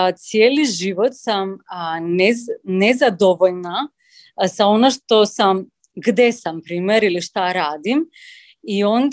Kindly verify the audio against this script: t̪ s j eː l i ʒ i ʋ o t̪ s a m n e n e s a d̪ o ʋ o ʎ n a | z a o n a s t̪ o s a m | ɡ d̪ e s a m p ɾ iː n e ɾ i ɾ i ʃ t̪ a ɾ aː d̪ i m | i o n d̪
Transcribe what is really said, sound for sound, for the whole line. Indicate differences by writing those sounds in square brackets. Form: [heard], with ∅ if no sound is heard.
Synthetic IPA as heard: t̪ s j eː l i ʒ i ʋ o t̪ s a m n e n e [z] a d̪ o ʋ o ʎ n a | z a o n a [ʃ] t̪ o s a m | ɡ d̪ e s a m p ɾ iː [m] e ɾ i [l] i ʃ t̪ a ɾ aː d̪ i m | i o n d̪